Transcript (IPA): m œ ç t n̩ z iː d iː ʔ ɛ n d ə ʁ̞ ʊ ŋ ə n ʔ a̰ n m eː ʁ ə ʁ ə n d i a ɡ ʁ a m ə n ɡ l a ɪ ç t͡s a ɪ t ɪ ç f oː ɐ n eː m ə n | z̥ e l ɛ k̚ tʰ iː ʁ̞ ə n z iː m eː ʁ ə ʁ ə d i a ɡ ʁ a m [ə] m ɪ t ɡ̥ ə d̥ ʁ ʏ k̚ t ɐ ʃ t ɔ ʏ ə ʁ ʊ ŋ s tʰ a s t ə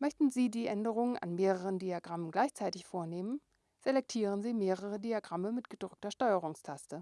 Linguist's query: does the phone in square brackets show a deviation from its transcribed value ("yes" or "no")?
no